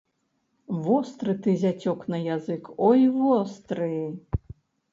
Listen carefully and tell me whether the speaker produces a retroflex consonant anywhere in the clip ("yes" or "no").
no